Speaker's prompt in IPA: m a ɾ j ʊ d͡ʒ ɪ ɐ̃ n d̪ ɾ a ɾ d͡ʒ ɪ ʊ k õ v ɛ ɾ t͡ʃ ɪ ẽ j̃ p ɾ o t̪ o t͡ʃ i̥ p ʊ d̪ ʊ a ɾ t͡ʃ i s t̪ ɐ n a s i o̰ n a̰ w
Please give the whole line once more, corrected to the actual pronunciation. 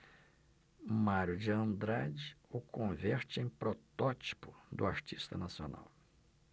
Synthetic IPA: m a ɾ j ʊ d͡ʒ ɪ ɐ̃ n d̪ ɾ a d͡ʒ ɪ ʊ k õ v ɛ ɾ t͡ʃ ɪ ẽ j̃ p ɾ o t̪ ɔ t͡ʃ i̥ p ʊ d̪ ʊ a ɾ t͡ʃ i s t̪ ɐ n a s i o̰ n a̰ w

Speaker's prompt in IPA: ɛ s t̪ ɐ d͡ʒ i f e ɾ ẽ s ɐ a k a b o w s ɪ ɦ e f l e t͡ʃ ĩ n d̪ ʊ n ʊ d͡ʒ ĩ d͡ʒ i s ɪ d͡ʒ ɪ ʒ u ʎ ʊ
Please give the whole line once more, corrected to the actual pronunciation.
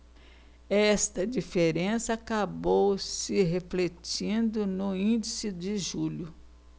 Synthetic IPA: ɛ s t̪ ɐ d͡ʒ i f e ɾ ẽ s ɐ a k a b o w s ɪ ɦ e f l e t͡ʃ ĩ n d̪ ʊ n ʊ ĩ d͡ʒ i s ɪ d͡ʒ ɪ ʒ u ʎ ʊ

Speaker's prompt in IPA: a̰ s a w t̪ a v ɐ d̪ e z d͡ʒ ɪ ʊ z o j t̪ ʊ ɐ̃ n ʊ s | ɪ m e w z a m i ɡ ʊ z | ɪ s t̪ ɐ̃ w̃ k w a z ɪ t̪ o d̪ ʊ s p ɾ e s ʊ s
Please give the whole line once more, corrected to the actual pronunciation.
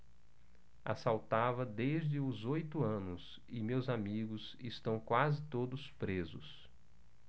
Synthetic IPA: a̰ s a w t̪ a v ɐ d̪ e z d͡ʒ ɪ ʊ z o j t̪ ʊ ɐ̃ n ʊ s | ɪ m e w z a m i ɡ ʊ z | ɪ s t̪ ɐ̃ w̃ k w a z ɪ t̪ o d̪ ʊ s p ɾ e z ʊ s

